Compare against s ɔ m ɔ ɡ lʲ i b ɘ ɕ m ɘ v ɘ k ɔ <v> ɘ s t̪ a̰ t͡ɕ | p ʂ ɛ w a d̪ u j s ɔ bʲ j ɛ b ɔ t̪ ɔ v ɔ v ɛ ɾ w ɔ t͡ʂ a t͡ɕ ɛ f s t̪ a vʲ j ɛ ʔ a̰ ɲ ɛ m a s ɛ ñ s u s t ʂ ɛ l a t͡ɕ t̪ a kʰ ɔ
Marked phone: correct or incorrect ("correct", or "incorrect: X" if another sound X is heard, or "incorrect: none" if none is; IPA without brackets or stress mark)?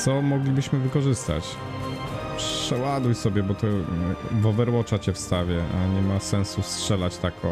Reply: incorrect: ʐ